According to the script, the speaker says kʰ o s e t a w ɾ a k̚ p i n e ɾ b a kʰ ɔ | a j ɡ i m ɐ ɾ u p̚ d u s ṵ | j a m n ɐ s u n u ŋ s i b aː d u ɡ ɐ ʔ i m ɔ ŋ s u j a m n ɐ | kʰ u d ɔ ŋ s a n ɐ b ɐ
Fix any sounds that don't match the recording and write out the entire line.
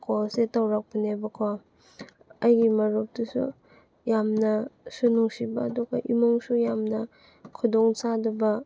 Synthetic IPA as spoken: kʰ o s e t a w ɾ a k̚ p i n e b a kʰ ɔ | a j ɡ i m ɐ ɾ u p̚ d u s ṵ | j a m n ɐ s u n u ŋ s i b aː d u ɡ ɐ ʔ i m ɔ ŋ s u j a m n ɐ | kʰ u d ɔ ŋ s a d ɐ b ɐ